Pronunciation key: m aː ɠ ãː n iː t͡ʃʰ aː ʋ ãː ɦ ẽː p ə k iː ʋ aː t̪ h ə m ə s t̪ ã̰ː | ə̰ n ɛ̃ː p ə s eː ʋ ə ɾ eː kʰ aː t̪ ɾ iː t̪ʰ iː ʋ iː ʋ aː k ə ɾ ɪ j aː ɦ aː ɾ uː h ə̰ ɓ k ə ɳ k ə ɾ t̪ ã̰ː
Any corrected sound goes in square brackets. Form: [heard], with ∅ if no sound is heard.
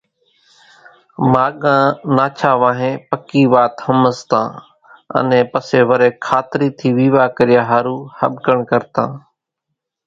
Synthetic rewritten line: m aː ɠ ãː n [aː] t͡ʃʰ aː ʋ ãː ɦ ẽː p ə k iː ʋ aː t̪ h ə m ə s t̪ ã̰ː | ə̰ n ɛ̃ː p ə s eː ʋ ə ɾ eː kʰ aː t̪ ɾ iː t̪ʰ iː ʋ iː ʋ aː k ə ɾ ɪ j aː ɦ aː ɾ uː h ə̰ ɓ k ə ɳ k ə ɾ t̪ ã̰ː